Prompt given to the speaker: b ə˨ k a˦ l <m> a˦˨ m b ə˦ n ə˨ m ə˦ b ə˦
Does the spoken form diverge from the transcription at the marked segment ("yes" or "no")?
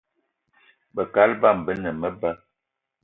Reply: yes